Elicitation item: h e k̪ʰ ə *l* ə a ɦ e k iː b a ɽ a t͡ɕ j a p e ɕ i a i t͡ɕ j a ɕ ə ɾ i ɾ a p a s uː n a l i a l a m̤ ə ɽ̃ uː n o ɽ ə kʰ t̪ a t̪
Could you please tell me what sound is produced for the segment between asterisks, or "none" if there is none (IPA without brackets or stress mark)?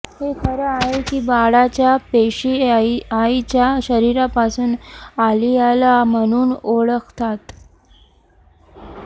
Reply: ɾ